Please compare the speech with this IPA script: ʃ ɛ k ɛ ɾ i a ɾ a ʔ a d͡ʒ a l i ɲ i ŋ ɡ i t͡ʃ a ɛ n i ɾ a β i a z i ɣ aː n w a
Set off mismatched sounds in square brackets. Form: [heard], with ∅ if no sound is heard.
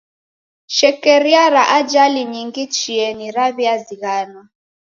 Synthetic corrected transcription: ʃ ɛ k ɛ ɾ i a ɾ a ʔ a d͡ʒ a l i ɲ i ŋ ɡ i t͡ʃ [i] ɛ n i ɾ a β i a z i ɣ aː n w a